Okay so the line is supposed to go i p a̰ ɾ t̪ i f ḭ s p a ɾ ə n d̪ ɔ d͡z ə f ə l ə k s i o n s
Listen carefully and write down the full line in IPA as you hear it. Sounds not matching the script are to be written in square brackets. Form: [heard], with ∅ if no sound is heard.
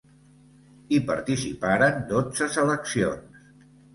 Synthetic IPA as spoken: i p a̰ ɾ t̪ i [s] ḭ [∅] p a ɾ ə n d̪ [o] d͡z ə [s] ə l ə k s i o n s